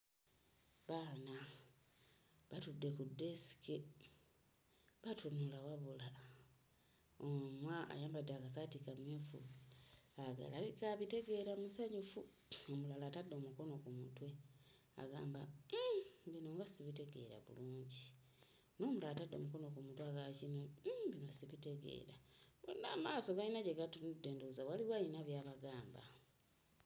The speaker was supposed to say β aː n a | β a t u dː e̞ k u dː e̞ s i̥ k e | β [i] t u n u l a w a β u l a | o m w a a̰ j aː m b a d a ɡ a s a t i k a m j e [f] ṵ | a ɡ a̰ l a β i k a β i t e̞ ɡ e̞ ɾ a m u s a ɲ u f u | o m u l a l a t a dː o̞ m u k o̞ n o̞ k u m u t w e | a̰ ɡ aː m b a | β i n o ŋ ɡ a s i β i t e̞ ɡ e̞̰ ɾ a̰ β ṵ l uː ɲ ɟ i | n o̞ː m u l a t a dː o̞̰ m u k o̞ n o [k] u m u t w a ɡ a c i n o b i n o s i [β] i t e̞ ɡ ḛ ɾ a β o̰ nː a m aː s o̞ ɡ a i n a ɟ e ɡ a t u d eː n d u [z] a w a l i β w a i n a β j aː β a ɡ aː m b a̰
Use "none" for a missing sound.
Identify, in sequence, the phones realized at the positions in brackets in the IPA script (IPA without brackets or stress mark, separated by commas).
a, f, k, β, z